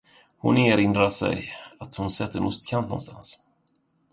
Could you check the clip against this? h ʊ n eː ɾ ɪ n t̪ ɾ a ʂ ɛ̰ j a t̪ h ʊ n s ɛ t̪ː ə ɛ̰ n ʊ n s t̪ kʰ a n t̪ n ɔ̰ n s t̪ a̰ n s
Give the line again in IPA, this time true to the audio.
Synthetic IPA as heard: h ʊ n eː ɾ ɪ n d̪ ɾ a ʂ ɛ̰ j a t̪ h ʊ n s ɛ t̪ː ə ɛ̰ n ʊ s t̪ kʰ a n t̪ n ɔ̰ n s t̪ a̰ n s